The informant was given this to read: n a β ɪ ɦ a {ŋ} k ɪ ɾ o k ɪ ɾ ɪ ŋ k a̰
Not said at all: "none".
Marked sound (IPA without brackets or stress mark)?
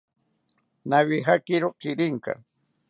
none